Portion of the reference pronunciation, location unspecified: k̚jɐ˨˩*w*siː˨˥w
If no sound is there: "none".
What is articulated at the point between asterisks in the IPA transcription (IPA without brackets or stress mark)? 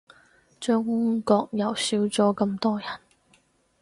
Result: w